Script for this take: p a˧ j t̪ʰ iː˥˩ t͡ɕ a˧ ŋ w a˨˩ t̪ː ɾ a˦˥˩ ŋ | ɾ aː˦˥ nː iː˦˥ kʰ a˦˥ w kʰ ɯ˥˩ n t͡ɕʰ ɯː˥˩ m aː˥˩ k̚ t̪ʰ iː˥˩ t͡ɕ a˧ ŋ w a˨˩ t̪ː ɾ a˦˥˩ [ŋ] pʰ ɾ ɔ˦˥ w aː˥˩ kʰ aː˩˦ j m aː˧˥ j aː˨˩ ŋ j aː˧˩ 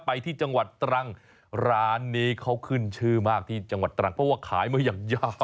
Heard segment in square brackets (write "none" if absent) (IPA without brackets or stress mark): ŋ